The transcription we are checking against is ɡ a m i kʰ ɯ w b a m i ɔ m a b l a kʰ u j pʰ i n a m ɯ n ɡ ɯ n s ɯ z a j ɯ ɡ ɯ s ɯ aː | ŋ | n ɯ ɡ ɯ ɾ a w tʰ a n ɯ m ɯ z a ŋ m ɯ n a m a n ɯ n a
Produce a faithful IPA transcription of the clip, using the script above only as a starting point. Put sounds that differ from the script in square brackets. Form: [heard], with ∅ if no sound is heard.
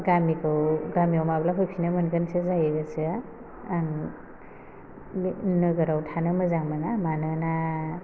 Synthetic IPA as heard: ɡ a m i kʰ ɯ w [ɡ] a m i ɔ m a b l a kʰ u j pʰ i n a m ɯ n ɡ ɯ n s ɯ z a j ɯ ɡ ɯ s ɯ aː | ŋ | n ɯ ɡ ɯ ɾ a w tʰ a n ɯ m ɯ z a ŋ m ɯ n a m a n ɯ n a

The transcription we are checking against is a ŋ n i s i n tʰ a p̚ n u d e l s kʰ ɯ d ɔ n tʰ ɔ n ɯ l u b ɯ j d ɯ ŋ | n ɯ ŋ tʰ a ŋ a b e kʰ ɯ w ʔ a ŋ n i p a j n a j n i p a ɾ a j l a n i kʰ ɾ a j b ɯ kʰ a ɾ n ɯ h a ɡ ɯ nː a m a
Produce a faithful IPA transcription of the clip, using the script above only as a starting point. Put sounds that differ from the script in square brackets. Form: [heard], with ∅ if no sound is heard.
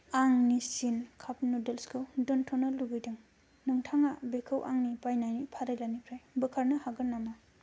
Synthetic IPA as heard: a ŋ n i s i n [kʰ] a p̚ n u d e l s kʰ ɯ d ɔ n tʰ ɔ n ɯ l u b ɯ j d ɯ ŋ | n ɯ ŋ tʰ a ŋ a b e kʰ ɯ w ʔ a ŋ n i p a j n a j n i [pʰ] a ɾ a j l a n i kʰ ɾ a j b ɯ kʰ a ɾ n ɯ h a ɡ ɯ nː a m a

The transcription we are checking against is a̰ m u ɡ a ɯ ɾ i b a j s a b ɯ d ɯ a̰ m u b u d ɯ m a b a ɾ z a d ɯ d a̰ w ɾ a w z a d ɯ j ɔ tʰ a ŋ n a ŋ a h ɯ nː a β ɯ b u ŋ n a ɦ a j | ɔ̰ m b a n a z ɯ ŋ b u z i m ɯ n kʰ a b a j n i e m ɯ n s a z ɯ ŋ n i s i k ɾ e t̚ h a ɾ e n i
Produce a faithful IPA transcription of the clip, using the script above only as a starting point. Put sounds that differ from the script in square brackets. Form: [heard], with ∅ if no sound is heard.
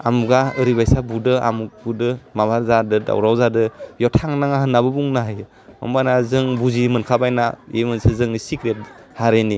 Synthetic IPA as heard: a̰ m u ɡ a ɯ ɾ i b a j s a b [u] d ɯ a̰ m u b u d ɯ m a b a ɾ z a d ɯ d a̰ w ɾ a w z a d ɯ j ɔ tʰ a ŋ n a ŋ a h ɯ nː a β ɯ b u ŋ n a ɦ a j | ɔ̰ m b a n a z ɯ ŋ b u z i m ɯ n kʰ a b a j n [a] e m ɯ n s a z ɯ ŋ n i s i k ɾ e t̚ h a ɾ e n i

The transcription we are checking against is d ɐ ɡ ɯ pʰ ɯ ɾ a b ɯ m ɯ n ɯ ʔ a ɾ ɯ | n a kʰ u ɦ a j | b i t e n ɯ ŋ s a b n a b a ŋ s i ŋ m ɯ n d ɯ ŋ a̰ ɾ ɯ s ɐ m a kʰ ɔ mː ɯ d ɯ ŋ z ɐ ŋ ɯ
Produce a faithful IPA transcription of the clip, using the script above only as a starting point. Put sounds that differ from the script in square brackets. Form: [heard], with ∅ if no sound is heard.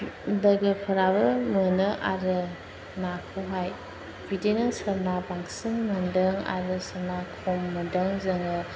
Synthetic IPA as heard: d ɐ ɡ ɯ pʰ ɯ ɾ a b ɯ m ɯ n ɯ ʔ a ɾ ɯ | n a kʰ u ɦ a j | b i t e n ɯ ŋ s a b n a b a ŋ s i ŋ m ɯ n d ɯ ŋ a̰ ɾ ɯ s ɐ [n] a kʰ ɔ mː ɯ d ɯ ŋ z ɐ ŋ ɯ

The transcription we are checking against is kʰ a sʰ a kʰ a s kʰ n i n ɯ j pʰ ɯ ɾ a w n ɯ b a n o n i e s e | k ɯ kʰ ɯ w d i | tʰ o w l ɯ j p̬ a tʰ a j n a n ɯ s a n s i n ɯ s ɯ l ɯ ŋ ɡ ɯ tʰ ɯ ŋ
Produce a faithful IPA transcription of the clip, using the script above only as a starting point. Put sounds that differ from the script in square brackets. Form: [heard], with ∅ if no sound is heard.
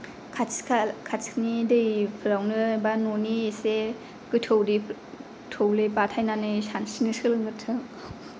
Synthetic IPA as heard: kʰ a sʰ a kʰ a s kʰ n i [d] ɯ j pʰ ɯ ɾ a w n ɯ b a n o n i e s e | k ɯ [tʰ] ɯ w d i | tʰ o w l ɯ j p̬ a tʰ a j n a n ɯ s a n s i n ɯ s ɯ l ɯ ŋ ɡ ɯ tʰ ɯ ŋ

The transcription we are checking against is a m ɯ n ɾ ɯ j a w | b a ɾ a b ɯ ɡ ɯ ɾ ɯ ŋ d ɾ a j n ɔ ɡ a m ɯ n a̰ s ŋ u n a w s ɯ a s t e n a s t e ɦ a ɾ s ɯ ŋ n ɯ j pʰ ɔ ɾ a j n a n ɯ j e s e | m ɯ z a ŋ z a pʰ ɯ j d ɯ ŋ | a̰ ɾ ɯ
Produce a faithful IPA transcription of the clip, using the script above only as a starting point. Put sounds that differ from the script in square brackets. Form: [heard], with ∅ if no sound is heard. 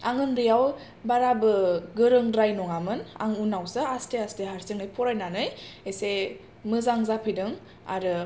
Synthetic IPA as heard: a [ŋ] ɯ n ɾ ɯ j a w | b a ɾ a b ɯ ɡ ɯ ɾ ɯ ŋ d ɾ a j n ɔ [ŋ] a m ɯ n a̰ [∅] ŋ u n a w s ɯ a s t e [∅] a s t e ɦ a ɾ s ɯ ŋ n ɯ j pʰ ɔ ɾ a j n a n ɯ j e s e | m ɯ z a ŋ z a pʰ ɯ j d ɯ ŋ | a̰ ɾ ɯ

